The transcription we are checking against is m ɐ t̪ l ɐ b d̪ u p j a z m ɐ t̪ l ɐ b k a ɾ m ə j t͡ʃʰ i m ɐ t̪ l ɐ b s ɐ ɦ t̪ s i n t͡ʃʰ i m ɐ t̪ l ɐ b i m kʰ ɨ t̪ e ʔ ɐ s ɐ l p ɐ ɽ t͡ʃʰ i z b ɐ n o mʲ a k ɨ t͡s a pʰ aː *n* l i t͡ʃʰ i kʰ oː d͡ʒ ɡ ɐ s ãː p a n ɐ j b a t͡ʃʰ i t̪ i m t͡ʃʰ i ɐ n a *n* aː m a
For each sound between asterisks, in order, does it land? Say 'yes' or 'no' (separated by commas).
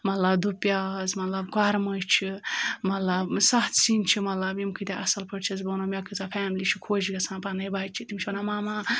no, no